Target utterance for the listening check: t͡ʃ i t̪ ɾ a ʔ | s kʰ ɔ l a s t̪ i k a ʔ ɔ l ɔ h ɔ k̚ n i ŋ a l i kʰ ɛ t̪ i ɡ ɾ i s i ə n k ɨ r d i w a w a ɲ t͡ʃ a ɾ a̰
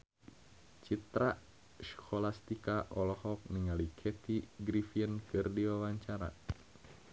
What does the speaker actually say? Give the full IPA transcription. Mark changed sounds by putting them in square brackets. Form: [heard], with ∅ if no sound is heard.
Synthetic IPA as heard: t͡ʃ i t̪ ɾ a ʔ | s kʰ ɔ l a s t̪ i k a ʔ ɔ l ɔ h ɔ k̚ n i ŋ a l i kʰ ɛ t̪ i ɡ ɾ i [f] i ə n k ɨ r d i w a w a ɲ t͡ʃ a ɾ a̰

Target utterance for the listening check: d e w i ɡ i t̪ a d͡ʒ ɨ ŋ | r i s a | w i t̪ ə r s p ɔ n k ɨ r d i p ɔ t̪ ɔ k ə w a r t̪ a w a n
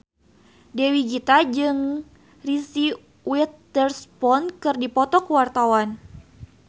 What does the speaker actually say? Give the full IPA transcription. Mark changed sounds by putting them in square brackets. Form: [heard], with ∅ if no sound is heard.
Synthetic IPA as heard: d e w i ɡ i t̪ a d͡ʒ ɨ ŋ | r i s [i] | w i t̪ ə r s p ɔ n k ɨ r d i p ɔ t̪ ɔ k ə w a r t̪ a w a n

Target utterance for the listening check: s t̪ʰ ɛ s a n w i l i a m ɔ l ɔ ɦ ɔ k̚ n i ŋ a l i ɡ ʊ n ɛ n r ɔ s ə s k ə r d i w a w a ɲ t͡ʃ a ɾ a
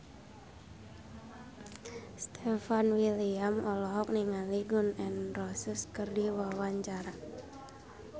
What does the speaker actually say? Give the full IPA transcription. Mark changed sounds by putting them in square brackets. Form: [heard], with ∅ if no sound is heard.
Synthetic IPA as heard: s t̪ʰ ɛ [f] a n w i l i a m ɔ l ɔ ɦ ɔ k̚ n i ŋ a l i ɡ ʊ n ɛ n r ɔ s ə s k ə r d i w a w a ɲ t͡ʃ a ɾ a

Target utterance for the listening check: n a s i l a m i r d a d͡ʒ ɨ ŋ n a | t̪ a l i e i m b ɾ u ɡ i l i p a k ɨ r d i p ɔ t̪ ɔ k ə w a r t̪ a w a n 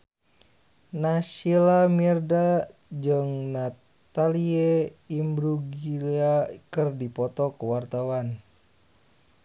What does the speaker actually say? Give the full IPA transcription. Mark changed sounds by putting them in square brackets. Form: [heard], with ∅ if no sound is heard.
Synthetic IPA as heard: n a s i l a m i r d a d͡ʒ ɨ ŋ n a | t̪ a l i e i m b ɾ u ɡ i l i [∅] a k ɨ r d i p ɔ t̪ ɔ k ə w a r t̪ a w a n

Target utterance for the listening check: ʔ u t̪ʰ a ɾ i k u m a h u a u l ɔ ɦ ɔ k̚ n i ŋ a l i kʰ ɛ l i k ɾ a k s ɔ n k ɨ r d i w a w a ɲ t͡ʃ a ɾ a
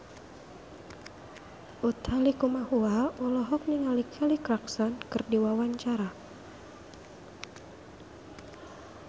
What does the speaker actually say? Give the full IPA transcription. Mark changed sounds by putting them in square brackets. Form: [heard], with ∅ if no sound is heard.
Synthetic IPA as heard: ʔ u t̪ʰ a [l] i k u m a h u a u l ɔ ɦ ɔ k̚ n i ŋ a l i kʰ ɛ l i k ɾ a k s ɔ n k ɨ r d i w a w a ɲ t͡ʃ a ɾ a

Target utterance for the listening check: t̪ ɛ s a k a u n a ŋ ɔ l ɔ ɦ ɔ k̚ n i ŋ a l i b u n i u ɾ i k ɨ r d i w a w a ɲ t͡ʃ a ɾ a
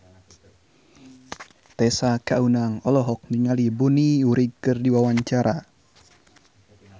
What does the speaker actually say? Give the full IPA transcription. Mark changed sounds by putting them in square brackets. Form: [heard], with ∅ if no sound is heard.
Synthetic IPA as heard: t̪ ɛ s a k a u n a ŋ ɔ l ɔ ɦ ɔ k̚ n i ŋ a l i b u n i u ɾ i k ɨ r d i w a w a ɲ t͡ʃ a ɾ a

